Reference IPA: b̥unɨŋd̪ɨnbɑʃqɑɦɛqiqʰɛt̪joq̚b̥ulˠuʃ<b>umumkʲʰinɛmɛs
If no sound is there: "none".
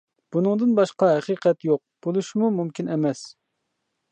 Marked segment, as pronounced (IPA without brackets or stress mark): m